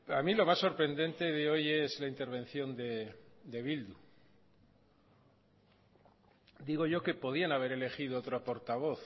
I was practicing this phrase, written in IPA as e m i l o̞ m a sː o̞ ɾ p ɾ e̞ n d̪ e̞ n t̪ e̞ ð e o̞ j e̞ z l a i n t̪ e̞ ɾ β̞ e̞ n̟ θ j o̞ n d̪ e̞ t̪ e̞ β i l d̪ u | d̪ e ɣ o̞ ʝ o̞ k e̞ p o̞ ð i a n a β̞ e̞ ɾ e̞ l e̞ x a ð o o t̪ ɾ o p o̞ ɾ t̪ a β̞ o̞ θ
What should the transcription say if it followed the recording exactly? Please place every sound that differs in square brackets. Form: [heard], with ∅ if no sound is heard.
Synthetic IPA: [a] m i l o̞ m a sː o̞ ɾ p ɾ e̞ n d̪ e̞ n t̪ e̞ ð e o̞ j e̞ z l a i n t̪ e̞ ɾ β̞ e̞ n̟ θ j o̞ n d̪ e̞ [d̪] e̞ β i l d̪ u | d̪ [i] ɣ o̞ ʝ o̞ k e̞ p o̞ ð i a n a β̞ e̞ ɾ e̞ l e̞ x [i] ð o o t̪ ɾ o p o̞ ɾ t̪ a β̞ o̞ θ